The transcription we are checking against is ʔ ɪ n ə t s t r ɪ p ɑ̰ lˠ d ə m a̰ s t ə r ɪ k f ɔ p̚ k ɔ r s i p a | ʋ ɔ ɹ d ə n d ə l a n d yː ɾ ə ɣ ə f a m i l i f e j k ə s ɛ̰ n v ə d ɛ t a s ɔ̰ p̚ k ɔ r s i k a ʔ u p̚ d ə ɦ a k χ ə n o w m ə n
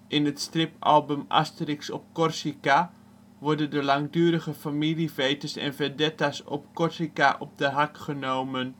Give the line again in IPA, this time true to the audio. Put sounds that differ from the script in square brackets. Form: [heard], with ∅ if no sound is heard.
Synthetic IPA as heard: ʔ ɪ n ə t s t r ɪ p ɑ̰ lˠ [b] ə m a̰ s t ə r ɪ k [s] ɔ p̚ k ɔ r s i [k] a | ʋ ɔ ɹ d ə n d ə l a [ŋ] d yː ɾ ə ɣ ə f a m i l i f e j [t] ə s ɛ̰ n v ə d ɛ t a s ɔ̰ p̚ k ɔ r s i k a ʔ [ɔ] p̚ d ə ɦ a k χ ə n o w m ə n